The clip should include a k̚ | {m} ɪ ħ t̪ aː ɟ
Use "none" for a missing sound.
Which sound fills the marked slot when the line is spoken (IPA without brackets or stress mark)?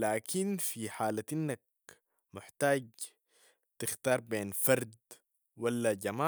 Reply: m